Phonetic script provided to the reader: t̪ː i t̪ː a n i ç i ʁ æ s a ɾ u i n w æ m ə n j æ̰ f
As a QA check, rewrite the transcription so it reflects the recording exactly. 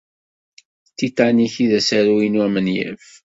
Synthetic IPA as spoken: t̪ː i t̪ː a n i ç i ð æ s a ɾ u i n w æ m ə n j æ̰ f